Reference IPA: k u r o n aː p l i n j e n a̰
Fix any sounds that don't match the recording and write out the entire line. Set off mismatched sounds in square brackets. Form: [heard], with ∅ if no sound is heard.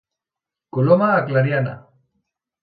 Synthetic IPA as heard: k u [l] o [m] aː [k] l [a] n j [a] n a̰

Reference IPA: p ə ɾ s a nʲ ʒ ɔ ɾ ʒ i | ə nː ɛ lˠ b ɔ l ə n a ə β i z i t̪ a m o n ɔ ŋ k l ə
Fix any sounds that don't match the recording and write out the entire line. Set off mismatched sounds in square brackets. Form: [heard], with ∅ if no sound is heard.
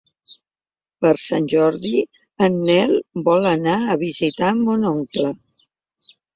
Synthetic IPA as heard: p ə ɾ s a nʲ ʒ ɔ ɾ [ð] i | ə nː ɛ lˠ b ɔ l ə n a ə β i z i t̪ a m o n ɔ ŋ k l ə

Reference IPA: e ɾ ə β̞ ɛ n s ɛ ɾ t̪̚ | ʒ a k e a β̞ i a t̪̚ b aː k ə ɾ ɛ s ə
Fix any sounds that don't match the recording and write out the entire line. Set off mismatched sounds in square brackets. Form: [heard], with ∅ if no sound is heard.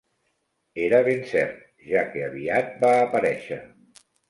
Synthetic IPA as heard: e ɾ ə β̞ [e] n s ɛ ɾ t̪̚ | ʒ a k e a β̞ i a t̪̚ b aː [p] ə ɾ ɛ [ʃ] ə

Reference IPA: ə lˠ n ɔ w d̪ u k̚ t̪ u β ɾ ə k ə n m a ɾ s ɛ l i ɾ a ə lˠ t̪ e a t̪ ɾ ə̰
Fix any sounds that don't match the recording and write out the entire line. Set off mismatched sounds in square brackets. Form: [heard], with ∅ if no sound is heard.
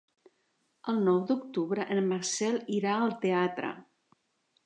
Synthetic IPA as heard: ə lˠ n ɔ w d̪ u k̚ t̪ u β ɾ ə [ʔ] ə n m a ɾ s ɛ l i ɾ a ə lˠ t̪ e a t̪ ɾ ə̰

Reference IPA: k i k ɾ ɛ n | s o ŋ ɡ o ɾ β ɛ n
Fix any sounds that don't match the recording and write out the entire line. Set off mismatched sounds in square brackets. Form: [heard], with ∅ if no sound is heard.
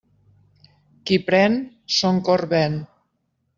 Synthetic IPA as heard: k i [p] ɾ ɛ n | s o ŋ [k] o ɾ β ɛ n

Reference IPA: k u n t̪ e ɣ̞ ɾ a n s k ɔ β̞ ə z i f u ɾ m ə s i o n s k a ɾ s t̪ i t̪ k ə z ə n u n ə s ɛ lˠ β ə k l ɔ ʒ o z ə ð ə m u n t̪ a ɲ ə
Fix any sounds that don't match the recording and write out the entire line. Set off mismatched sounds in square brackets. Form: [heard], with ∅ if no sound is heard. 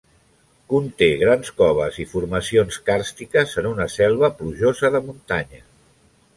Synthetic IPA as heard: k u n t̪ e ɣ̞ ɾ a n s k ɔ β̞ ə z i f u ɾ m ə s i o n s k a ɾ s t̪ i [∅] k ə z ə n u n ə s ɛ lˠ β ə [p] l [u] ʒ o z ə ð ə m u n t̪ a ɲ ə

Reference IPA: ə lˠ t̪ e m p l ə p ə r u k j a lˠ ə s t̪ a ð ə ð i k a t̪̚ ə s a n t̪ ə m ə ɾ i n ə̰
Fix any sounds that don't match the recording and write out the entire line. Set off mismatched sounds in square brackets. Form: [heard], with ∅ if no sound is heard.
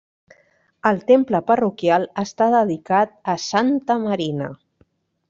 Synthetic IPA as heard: ə lˠ t̪ e m p l ə p ə r u k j a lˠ ə s t̪ a ð ə ð i k a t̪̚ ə s a n t̪ ə m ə ɾ i n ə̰

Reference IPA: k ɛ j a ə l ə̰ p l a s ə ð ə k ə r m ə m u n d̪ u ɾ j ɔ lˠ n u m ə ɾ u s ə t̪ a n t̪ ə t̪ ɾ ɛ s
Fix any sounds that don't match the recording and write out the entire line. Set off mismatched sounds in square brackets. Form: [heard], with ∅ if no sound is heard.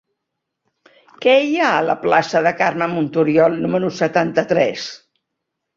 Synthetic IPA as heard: k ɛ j a ə l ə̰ p l a s ə ð ə k [a] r m ə m u n [t̪] u ɾ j ɔ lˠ n u m ə ɾ u s ə t̪ a n t̪ ə t̪ ɾ ɛ s

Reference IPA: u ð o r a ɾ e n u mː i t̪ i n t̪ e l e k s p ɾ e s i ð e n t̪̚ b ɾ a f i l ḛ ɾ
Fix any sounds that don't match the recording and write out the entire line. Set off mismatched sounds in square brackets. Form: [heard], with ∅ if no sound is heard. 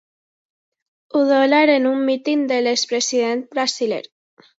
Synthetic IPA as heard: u ð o [l] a ɾ e n u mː i t̪ i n [d̪] e l e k s p ɾ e s i ð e n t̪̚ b ɾ a [s] i l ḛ ɾ

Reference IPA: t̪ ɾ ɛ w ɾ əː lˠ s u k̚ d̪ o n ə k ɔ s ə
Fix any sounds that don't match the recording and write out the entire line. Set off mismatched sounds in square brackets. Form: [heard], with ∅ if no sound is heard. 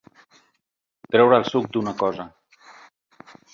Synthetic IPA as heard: t̪ ɾ ɛ w ɾ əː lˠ s u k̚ d̪ [u] n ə k ɔ [z] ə

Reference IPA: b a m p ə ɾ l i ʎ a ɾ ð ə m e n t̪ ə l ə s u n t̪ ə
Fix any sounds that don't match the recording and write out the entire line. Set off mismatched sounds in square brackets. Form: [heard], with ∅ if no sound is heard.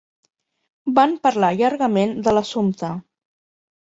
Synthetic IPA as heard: b a m p ə ɾ l [a] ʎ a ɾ [ɣ] ə m e n [d̪] ə l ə s u [m] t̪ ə

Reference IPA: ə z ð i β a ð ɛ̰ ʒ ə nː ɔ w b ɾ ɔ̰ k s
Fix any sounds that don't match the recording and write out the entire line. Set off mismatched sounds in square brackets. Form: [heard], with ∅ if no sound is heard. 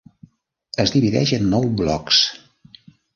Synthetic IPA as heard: ə z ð i β [i] ð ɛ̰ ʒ ə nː ɔ w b [l] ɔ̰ k s

